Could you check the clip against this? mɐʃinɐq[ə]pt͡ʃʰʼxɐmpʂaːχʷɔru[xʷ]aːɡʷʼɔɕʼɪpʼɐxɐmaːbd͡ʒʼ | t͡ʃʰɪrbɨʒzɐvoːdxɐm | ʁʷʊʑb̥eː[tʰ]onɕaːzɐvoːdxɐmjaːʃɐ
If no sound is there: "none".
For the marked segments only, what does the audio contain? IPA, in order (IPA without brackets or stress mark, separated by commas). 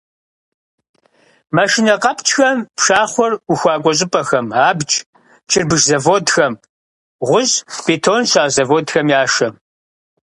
ɐ, xʷ, tʰ